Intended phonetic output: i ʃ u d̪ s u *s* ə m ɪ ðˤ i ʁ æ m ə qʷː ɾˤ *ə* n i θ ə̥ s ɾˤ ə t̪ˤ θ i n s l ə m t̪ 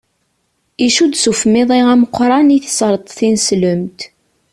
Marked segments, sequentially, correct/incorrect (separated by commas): incorrect, incorrect